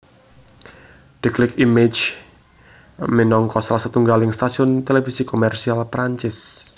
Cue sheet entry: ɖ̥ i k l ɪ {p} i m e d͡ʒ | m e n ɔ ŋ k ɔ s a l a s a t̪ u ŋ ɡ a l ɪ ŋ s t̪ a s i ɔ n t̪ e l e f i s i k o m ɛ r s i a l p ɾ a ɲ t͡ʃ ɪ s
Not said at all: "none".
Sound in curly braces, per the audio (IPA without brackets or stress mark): k